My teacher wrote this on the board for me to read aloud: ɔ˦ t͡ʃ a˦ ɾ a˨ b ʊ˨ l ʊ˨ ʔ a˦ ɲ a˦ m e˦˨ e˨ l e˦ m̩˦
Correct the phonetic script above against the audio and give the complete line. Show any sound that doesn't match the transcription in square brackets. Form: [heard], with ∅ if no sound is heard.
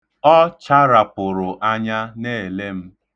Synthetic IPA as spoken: ɔ˦ t͡ʃ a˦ ɾ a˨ [p] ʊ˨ [ɾ] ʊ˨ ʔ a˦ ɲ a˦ [n] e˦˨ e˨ l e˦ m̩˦